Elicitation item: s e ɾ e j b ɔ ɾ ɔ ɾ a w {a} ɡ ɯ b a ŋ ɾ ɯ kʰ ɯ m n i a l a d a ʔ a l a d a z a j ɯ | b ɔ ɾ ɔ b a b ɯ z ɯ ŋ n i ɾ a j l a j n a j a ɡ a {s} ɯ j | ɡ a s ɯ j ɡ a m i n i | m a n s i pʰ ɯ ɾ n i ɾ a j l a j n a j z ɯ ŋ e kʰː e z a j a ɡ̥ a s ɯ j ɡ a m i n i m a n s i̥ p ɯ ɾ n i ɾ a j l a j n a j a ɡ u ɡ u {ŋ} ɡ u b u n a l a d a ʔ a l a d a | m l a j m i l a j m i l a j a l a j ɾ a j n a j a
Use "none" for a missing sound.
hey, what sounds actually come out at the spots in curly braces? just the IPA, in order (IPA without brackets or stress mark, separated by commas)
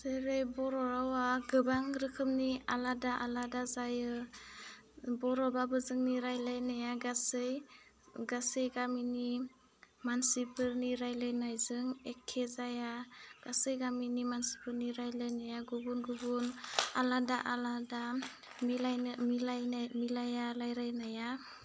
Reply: a, s, n